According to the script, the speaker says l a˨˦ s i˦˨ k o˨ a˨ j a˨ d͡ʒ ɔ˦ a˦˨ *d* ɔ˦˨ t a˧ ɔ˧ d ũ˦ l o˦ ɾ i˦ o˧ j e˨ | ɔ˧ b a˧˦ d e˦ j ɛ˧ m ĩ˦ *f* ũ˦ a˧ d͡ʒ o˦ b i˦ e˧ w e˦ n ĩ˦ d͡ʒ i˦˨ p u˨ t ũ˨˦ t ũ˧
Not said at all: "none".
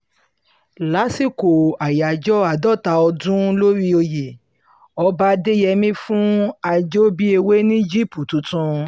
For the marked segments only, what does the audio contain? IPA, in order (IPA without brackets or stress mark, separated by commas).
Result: d, f